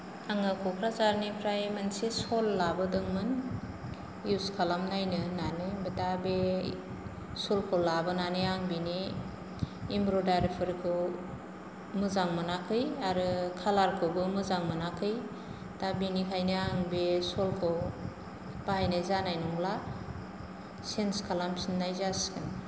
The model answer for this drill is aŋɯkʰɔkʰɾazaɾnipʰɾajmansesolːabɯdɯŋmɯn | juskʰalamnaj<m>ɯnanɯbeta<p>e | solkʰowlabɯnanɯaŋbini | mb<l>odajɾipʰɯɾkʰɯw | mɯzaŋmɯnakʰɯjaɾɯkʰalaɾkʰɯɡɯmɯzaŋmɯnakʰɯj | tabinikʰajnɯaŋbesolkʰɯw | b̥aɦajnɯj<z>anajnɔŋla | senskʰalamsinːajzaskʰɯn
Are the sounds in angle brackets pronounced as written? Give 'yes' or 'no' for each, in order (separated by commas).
no, no, no, yes